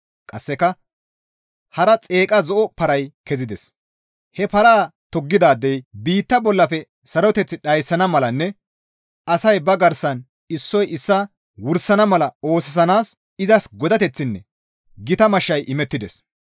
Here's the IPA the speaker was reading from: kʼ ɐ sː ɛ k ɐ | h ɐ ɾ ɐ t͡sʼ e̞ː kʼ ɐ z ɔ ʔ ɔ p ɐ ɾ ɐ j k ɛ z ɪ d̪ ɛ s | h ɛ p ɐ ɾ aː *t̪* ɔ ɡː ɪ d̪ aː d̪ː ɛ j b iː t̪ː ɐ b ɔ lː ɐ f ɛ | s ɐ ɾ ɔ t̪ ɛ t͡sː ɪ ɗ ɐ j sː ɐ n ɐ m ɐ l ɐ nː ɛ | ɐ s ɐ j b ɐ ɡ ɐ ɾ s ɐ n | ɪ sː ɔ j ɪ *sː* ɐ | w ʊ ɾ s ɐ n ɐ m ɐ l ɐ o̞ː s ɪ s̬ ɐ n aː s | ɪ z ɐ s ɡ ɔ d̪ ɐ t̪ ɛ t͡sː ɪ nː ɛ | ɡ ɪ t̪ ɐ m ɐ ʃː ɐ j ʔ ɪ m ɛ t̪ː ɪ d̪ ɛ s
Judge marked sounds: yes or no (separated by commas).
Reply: yes, yes